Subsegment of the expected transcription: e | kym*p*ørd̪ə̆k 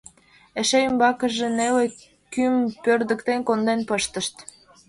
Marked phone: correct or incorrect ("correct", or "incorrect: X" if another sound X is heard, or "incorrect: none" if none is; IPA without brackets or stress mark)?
correct